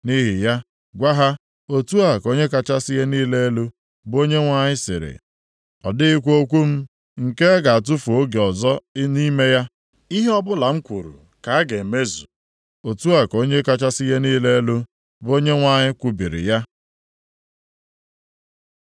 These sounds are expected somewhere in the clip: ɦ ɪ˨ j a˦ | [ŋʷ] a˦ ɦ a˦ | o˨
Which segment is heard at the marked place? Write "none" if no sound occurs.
ɡʷ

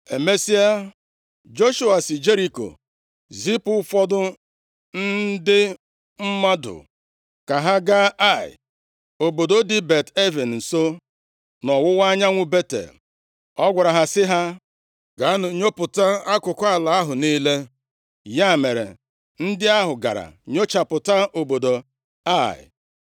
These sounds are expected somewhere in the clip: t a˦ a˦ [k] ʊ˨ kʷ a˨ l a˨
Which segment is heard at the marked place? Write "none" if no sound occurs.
k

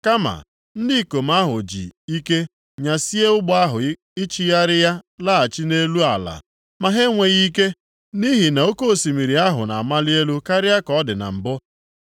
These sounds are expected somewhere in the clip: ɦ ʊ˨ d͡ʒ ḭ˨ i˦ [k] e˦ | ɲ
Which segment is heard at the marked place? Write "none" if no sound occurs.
k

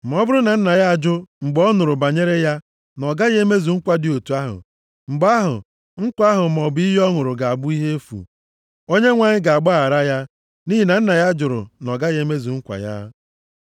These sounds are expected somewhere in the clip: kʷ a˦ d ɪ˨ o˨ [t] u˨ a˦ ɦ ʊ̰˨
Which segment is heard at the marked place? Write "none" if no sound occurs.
t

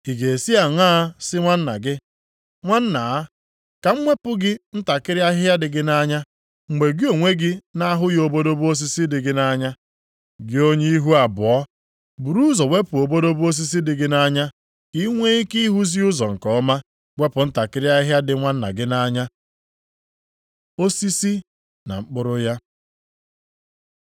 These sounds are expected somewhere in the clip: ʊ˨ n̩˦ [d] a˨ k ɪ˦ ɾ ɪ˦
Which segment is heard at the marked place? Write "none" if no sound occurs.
t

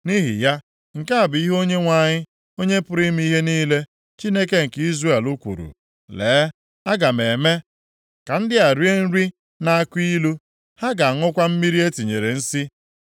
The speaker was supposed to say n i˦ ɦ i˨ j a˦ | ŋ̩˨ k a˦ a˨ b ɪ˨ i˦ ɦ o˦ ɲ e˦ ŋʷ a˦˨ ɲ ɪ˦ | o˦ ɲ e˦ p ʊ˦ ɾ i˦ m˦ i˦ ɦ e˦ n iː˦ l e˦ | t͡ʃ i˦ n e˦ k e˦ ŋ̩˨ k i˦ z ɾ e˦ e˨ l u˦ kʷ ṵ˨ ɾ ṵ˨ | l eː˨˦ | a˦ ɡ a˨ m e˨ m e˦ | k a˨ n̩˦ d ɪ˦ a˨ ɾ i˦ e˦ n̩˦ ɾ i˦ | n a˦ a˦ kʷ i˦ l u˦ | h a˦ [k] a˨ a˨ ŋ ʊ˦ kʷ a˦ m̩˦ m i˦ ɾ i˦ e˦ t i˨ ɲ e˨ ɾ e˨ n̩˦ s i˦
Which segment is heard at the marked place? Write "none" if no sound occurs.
ɡ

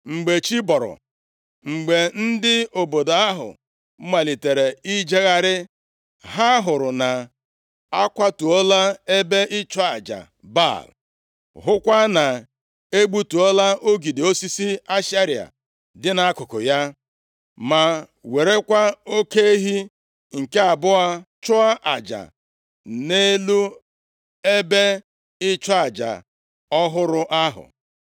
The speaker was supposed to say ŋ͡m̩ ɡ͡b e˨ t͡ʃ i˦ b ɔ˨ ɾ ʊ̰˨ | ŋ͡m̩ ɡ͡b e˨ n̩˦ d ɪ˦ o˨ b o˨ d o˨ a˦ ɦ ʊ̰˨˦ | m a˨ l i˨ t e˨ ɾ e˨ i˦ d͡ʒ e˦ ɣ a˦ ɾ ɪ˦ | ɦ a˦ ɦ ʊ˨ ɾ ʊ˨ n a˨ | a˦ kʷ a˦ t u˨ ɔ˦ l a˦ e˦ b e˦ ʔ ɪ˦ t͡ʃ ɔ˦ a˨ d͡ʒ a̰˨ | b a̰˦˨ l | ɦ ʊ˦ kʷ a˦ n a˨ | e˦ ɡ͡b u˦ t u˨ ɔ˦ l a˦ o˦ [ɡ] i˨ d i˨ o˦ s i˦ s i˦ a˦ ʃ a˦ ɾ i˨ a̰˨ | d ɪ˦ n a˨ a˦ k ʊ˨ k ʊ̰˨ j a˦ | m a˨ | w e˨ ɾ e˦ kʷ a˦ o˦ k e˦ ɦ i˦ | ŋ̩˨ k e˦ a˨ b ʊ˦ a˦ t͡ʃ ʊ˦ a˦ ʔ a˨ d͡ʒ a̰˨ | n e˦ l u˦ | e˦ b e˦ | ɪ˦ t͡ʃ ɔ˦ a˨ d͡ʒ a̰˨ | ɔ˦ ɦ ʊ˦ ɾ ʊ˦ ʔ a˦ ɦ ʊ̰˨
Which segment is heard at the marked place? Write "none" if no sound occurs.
ɡ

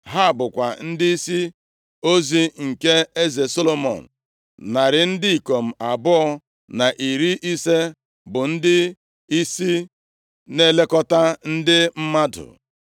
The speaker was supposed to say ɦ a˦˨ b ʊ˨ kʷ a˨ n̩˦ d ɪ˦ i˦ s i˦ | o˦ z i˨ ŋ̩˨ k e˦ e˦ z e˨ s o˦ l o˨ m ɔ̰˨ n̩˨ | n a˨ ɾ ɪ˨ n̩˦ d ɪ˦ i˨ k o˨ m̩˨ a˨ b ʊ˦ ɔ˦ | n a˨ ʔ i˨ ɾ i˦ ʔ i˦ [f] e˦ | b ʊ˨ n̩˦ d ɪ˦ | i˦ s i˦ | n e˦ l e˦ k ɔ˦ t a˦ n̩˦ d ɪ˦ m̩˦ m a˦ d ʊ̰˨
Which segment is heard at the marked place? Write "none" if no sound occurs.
s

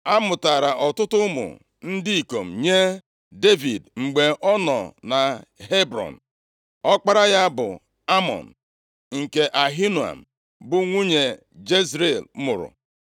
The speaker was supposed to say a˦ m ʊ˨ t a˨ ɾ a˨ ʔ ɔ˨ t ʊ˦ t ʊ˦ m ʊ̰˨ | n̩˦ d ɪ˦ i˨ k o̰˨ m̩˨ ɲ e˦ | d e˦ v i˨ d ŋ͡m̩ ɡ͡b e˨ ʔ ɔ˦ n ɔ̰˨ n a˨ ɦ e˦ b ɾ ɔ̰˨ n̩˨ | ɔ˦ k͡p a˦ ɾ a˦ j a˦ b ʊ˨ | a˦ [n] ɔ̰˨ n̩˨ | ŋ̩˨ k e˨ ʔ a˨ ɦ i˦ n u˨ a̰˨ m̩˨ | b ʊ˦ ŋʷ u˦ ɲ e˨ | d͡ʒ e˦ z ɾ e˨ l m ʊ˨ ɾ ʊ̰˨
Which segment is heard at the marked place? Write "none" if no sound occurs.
m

